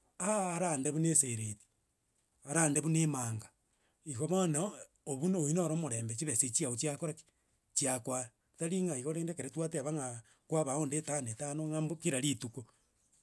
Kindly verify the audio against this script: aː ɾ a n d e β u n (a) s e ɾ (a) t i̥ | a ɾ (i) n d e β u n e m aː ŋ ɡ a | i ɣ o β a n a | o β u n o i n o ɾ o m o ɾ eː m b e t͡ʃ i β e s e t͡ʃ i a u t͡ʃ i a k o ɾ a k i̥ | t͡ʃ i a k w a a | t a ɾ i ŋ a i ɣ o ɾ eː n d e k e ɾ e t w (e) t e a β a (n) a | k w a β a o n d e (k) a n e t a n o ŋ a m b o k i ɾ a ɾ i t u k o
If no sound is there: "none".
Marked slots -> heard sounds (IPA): e, e, a, a, ŋ, t

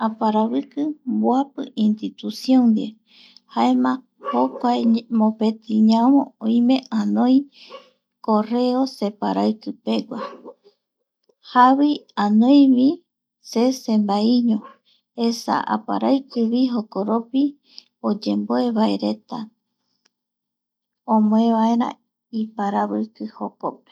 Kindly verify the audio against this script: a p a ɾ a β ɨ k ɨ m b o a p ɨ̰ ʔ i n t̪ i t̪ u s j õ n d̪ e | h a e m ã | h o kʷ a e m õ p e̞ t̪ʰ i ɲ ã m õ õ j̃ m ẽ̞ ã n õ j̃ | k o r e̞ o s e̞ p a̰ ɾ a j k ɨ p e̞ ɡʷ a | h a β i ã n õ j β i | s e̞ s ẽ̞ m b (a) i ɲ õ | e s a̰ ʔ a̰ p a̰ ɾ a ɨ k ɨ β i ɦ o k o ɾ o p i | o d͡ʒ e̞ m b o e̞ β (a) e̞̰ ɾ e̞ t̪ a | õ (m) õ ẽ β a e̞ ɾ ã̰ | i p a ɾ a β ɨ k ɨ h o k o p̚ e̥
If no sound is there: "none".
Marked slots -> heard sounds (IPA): a, a, m

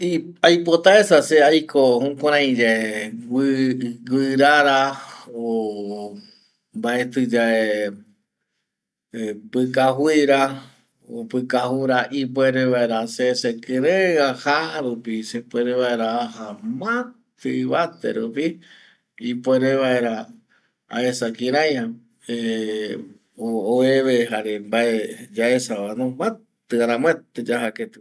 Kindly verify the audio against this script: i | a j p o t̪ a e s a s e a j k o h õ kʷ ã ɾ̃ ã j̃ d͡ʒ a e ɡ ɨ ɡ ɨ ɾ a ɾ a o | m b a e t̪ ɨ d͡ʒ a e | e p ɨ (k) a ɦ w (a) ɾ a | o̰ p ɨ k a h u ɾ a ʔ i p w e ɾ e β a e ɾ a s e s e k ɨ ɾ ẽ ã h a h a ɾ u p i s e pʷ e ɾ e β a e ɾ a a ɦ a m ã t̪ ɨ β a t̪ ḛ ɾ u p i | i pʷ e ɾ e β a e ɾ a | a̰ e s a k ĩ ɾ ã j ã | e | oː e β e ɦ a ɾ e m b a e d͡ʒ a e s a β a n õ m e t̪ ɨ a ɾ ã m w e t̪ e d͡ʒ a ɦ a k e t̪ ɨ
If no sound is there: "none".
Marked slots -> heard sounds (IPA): k, i

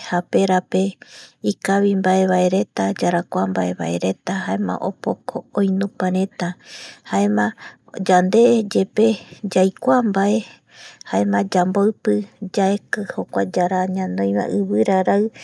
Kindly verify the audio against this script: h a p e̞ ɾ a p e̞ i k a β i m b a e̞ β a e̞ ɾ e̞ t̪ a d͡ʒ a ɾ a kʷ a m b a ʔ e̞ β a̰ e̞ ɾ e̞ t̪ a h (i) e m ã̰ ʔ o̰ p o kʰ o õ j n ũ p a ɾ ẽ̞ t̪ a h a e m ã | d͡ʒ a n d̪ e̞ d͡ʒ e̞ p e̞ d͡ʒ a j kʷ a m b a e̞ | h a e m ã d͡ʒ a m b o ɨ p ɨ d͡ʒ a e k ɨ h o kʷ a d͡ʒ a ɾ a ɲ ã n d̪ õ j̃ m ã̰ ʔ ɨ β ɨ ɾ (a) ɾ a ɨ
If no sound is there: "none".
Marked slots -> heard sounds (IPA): a, a

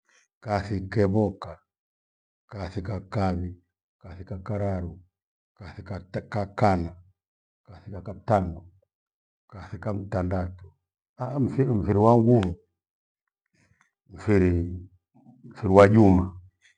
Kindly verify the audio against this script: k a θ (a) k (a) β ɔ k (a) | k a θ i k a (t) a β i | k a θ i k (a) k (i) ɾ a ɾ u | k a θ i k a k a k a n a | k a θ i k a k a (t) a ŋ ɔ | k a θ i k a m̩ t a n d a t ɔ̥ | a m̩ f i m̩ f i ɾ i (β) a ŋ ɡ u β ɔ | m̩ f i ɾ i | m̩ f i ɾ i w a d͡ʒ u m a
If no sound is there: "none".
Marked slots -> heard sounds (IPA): i, ɛ, a, k, a, a, t, w

